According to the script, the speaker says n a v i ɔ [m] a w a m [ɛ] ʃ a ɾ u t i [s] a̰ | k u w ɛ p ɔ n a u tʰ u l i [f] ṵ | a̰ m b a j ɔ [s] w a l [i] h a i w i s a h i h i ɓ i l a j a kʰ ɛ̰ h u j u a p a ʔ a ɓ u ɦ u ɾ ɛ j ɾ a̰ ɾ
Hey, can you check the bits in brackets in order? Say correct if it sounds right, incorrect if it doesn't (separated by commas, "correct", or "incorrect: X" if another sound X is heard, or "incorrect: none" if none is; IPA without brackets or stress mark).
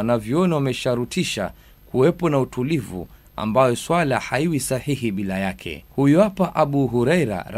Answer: incorrect: n, correct, incorrect: ʃ, incorrect: v, correct, incorrect: a